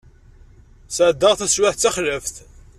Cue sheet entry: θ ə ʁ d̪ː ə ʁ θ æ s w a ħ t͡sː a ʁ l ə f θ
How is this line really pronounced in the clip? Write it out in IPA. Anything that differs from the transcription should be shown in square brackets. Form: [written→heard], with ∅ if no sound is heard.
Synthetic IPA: [θ→s] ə [ʁ→ʕ] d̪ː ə ʁ θ æ s w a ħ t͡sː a [ʁ→χ] l ə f θ